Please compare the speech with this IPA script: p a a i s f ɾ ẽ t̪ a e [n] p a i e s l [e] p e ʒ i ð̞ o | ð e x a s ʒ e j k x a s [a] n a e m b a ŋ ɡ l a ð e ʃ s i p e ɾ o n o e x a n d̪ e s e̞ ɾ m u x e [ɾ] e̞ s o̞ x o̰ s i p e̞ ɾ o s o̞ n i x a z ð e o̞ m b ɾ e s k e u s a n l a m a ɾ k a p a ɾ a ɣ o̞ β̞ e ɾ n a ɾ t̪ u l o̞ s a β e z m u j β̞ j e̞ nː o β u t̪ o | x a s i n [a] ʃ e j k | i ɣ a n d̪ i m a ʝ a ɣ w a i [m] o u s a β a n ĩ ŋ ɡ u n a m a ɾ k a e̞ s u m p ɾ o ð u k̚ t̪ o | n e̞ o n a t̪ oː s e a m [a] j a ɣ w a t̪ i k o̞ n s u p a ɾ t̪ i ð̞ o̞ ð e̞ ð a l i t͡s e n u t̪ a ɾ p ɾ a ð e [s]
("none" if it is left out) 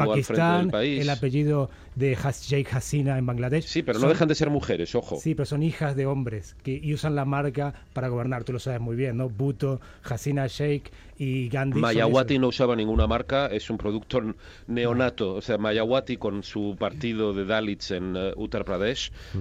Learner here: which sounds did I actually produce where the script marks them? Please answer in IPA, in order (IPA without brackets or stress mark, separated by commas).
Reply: n, a, i, ɾ, a, n, a, ʃ